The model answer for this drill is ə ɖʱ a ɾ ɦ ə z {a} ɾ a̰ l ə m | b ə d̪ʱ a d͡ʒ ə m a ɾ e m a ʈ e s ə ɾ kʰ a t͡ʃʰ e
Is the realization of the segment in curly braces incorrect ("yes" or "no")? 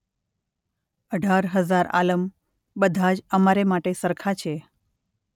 no